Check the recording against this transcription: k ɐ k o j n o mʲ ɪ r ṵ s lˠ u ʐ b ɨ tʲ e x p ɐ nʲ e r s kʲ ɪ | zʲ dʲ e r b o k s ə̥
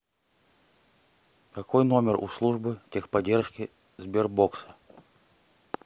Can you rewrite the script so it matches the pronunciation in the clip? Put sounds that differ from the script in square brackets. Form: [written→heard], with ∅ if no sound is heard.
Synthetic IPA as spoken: k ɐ k o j n o mʲ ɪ r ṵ s lˠ u ʐ b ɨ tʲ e x p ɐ [nʲ→dʲ] e r [s→ʂ] kʲ ɪ | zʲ [dʲ→bʲ] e r b o k s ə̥